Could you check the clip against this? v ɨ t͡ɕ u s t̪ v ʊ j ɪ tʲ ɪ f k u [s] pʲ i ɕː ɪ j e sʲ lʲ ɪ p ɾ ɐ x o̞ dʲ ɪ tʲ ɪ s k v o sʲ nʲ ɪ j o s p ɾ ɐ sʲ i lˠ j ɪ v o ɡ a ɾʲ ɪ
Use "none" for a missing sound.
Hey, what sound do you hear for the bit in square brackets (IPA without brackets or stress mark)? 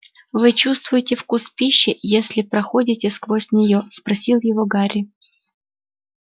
s